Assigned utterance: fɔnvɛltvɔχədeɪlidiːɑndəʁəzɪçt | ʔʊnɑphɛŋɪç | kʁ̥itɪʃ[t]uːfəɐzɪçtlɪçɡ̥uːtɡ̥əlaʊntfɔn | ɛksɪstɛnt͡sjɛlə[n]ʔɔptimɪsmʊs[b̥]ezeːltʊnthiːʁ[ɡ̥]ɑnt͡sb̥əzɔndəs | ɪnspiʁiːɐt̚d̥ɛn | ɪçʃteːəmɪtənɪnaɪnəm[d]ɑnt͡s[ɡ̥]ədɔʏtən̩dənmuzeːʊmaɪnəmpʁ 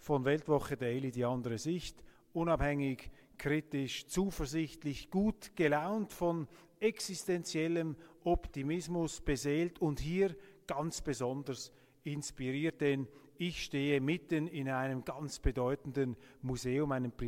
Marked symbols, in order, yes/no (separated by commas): no, no, yes, yes, no, no